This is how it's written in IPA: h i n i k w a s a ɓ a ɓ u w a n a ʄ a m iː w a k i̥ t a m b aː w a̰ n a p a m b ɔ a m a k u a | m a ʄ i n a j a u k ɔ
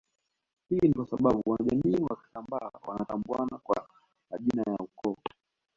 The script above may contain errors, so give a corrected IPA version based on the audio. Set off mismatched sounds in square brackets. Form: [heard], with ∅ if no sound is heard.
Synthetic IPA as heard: h i n i k w a s a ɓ a ɓ u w a n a ʄ a m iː w a k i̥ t a m b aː w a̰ n a [t] a m b [u] a [n] a k [w] a | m a ʄ i n a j a u k ɔ

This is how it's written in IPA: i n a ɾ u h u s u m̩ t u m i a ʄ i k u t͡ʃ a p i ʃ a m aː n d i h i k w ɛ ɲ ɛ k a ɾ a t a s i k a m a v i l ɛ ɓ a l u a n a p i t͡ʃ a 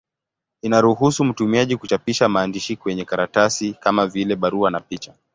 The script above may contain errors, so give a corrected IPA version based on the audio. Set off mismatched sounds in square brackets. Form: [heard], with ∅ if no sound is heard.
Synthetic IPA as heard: i n a ɾ u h u s u m̩ t u m i a ʄ i k u t͡ʃ a p i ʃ a m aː n d i [ʃ] i k w ɛ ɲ ɛ k a ɾ a t a s i k a m a v i l ɛ ɓ a [ɾ] u a n a p i t͡ʃ a

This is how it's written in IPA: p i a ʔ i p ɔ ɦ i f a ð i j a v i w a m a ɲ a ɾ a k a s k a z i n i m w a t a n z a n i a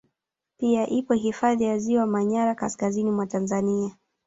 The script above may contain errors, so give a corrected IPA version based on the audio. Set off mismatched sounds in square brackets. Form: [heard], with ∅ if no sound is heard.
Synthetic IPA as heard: p i a ʔ i p ɔ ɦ i f a ð i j a [z] i w a m a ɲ a ɾ a k a s k a z i n i m w a t a n z a n i a

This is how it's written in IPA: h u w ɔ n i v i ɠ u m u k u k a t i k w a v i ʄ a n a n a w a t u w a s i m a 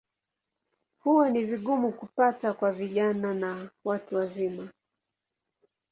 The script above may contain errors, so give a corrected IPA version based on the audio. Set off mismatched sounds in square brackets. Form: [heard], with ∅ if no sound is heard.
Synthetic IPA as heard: h u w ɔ n i v i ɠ u m u k u [p] a t [a] k w a v i ʄ a n a n a w a t u w a [z] i m a

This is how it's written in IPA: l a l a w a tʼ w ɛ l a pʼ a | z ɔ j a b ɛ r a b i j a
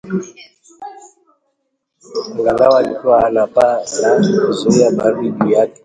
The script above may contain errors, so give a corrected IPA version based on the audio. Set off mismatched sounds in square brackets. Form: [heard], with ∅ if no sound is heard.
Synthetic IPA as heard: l a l a w a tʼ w [a] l a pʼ a | z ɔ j a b [a] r [i] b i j a

